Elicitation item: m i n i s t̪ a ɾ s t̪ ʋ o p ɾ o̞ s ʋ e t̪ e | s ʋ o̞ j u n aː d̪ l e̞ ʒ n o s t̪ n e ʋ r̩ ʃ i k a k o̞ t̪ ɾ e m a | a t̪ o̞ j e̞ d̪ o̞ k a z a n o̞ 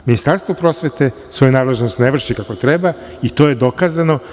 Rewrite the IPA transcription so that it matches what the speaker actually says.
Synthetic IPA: m i n i s t̪ a ɾ s t̪ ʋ o p ɾ o̞ s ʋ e t̪ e | s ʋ o̞ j u n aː d̪ l e̞ ʒ n o s t̪ n e ʋ r̩ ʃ i k a k o̞ t̪ ɾ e b a | i t̪ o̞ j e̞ d̪ o̞ k a z a n o̞